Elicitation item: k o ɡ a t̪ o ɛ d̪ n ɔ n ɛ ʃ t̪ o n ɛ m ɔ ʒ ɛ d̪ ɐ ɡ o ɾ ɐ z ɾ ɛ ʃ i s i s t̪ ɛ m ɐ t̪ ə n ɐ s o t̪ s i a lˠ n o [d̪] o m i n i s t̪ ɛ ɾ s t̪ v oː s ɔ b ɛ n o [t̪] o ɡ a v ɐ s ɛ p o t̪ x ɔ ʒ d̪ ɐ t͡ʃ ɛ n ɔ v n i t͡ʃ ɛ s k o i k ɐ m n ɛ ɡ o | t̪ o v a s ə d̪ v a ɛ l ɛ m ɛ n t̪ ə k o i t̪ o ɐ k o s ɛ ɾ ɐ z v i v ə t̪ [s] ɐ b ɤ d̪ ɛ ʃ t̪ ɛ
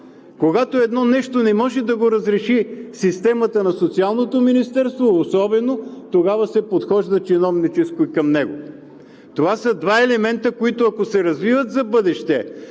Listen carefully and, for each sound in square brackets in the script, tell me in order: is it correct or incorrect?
incorrect: t̪, correct, incorrect: z

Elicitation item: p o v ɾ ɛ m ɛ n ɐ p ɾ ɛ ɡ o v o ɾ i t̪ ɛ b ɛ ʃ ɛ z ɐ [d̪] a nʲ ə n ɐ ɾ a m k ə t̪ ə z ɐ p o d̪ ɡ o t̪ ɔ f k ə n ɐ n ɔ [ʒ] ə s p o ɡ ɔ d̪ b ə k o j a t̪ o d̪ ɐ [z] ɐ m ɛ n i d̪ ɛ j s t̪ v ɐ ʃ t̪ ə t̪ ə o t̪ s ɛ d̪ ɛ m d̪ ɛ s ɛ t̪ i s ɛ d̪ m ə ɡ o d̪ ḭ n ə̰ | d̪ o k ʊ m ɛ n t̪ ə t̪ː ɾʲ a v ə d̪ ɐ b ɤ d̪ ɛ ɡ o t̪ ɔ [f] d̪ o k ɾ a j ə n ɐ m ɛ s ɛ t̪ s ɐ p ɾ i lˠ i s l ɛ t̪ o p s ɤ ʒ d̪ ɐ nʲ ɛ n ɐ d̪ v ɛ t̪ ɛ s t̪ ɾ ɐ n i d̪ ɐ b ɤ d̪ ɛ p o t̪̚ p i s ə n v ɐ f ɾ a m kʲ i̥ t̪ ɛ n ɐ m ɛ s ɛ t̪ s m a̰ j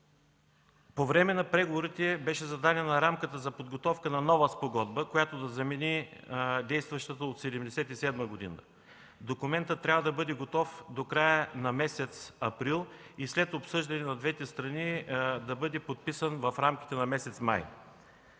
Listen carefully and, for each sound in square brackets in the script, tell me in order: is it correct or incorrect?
correct, incorrect: v, correct, correct

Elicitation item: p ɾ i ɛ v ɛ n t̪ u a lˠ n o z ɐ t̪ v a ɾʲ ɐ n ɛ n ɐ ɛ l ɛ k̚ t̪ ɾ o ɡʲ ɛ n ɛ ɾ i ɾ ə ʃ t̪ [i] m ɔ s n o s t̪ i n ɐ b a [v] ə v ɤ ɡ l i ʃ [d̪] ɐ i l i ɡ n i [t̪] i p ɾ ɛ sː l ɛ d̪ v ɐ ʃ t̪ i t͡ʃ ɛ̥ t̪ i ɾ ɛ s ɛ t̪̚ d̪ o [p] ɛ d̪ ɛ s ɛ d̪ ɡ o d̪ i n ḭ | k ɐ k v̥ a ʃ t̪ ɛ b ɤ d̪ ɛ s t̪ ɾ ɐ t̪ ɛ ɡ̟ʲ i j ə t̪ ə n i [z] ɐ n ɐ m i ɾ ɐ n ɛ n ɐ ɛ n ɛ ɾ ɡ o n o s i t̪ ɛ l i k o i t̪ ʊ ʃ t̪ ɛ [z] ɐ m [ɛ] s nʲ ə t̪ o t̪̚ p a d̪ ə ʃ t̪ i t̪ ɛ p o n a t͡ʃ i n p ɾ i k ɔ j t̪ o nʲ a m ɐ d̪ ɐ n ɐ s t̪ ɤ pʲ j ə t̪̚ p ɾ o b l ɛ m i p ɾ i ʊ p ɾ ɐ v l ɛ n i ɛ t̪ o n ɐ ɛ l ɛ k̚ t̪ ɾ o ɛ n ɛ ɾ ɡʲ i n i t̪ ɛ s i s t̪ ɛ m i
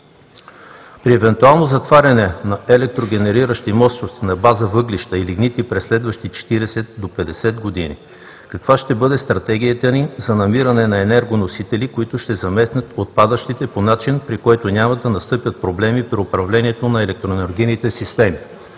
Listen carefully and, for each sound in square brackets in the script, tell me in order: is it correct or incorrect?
correct, incorrect: z, incorrect: t̪, correct, correct, correct, correct, correct

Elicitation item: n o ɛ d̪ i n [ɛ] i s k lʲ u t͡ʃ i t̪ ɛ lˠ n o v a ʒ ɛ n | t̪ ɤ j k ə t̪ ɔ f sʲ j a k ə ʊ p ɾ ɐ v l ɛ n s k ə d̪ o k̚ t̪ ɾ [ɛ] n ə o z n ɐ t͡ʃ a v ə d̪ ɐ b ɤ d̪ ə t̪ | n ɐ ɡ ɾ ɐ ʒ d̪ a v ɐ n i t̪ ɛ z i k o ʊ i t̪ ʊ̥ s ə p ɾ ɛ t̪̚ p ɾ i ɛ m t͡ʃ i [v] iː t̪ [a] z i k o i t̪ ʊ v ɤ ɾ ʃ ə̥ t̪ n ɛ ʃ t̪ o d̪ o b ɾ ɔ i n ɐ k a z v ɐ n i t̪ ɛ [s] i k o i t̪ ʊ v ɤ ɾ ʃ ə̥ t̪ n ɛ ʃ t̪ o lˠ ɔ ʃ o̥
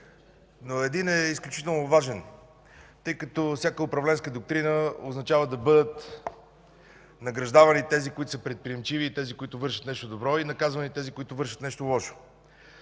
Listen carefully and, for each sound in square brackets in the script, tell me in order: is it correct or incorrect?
correct, incorrect: i, correct, incorrect: ɛ, incorrect: z

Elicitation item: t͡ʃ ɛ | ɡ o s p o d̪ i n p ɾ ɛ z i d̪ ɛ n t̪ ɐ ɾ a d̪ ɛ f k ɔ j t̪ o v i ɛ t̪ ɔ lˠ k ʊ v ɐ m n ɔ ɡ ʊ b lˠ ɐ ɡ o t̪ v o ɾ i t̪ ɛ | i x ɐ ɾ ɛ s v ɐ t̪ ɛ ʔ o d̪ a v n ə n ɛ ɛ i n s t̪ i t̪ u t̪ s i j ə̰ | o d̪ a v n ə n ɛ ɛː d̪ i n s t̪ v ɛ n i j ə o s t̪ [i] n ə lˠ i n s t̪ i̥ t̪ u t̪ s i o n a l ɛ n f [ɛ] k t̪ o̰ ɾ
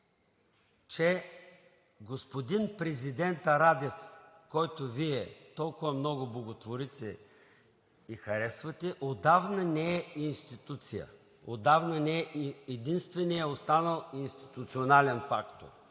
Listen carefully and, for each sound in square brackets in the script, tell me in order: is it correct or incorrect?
incorrect: a, incorrect: a

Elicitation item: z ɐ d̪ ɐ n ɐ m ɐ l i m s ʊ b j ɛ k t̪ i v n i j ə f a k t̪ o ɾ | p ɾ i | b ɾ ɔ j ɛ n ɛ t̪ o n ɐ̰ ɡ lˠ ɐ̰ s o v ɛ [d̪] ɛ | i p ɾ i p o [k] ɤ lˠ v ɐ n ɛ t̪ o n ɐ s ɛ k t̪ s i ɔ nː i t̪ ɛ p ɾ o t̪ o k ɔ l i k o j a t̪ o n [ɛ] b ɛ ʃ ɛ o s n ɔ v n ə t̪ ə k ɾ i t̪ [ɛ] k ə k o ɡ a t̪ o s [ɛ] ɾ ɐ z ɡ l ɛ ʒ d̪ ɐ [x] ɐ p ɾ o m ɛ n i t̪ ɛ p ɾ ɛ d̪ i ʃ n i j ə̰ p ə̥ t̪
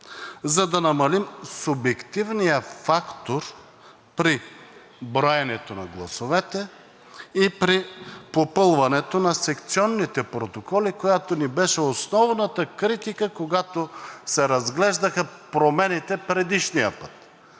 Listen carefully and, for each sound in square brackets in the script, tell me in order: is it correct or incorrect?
incorrect: t̪, incorrect: p, incorrect: i, incorrect: i, correct, correct

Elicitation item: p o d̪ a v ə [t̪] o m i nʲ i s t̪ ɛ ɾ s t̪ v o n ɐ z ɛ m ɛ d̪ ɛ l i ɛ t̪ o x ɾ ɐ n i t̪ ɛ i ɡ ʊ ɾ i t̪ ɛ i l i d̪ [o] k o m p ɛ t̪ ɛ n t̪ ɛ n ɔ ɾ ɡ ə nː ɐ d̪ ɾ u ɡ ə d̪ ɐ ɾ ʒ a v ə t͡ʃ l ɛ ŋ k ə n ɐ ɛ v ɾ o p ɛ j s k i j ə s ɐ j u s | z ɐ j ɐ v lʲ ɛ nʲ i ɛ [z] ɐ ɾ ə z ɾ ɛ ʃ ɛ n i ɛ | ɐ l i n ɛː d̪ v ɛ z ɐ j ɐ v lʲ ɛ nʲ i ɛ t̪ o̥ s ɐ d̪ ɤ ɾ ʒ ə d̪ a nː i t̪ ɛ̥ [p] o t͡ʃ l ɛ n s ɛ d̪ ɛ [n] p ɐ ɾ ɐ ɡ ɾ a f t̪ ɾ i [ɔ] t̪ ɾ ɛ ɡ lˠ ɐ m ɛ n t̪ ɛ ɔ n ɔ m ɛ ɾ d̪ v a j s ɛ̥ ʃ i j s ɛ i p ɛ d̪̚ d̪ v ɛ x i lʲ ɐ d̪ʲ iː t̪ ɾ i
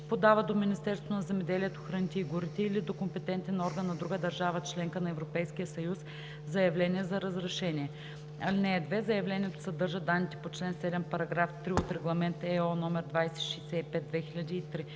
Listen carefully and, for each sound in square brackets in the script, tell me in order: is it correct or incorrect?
incorrect: d̪, correct, correct, correct, incorrect: m, incorrect: o

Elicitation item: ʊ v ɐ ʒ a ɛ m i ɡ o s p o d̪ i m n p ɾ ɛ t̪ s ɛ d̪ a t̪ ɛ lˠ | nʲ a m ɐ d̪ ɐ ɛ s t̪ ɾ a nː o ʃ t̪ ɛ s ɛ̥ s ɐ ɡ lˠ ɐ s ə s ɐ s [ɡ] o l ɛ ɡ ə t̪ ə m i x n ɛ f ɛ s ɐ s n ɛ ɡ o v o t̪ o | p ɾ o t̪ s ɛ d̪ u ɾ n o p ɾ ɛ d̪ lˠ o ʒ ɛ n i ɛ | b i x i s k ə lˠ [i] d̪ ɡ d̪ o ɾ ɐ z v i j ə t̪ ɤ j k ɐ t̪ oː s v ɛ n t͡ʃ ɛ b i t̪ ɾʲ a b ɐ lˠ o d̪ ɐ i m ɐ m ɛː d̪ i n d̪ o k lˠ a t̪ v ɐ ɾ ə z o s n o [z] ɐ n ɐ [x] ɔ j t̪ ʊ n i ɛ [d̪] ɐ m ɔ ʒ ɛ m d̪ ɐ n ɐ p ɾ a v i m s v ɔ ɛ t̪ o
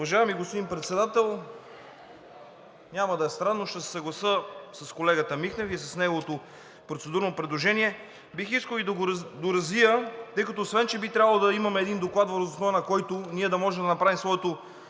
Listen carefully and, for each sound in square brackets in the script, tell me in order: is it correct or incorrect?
incorrect: k, correct, incorrect: v, incorrect: k, correct

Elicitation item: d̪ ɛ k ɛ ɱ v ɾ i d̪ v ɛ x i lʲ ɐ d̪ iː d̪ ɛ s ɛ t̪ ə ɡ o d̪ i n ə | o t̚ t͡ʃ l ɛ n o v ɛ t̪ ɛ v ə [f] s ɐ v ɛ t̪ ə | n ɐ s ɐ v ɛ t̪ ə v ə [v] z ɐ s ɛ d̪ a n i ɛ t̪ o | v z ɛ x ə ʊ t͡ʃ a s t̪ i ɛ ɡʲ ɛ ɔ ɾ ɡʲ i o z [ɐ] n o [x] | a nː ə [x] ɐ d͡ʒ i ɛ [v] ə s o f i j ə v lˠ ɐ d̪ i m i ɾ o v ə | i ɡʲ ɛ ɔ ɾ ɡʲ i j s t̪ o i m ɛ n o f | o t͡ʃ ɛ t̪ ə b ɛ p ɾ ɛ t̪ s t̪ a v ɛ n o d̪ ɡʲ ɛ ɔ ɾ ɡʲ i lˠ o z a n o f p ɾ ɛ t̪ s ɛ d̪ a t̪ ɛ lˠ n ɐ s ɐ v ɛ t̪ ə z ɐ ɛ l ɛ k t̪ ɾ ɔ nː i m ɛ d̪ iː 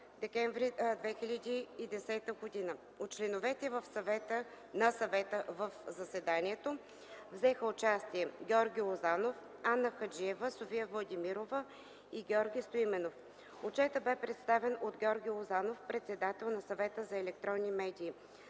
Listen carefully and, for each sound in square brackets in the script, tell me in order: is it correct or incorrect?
correct, incorrect: f, incorrect: a, incorrect: f, correct, correct

